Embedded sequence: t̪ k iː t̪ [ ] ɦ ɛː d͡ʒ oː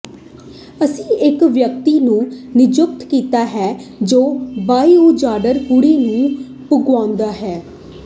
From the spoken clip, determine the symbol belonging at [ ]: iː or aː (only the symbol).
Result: aː